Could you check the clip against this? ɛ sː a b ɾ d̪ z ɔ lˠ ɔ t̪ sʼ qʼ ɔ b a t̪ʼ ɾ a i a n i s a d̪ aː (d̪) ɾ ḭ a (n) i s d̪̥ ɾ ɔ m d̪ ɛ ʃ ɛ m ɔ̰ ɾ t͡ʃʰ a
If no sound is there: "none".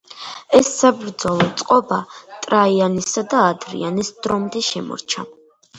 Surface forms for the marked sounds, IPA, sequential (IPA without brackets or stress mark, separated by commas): d̪, n